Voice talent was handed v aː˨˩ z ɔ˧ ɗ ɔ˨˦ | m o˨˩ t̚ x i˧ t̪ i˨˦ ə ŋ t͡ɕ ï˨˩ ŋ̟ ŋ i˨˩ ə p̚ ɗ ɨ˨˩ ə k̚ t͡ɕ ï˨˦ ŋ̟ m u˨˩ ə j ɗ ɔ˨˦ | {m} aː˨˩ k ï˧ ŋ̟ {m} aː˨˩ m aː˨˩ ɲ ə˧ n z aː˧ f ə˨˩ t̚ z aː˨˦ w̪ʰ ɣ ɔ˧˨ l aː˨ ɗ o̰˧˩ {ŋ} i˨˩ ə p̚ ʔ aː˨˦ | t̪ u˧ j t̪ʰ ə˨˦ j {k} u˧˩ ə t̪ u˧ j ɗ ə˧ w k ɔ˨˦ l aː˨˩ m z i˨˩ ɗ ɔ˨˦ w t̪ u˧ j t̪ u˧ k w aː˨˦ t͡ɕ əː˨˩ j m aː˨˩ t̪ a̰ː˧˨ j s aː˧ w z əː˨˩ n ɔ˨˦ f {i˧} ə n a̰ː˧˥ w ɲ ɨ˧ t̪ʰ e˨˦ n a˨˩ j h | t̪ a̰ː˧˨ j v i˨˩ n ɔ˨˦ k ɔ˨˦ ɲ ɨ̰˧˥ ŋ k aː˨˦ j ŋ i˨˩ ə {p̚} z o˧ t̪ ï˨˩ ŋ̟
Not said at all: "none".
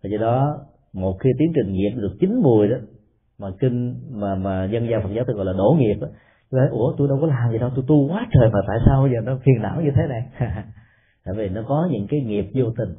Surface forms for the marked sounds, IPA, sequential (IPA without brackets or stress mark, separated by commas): m, m, ŋ, ʔ, i˨˩, p̚